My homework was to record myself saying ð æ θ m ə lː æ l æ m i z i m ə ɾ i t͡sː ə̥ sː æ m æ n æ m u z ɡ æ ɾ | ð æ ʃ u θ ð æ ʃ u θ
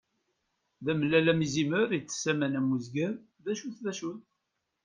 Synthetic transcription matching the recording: ð æ m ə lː æ l æ m i z i m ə ɾ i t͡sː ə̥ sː æ m æ n æ m u z ɡ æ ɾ | ð æ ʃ u θ ð æ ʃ u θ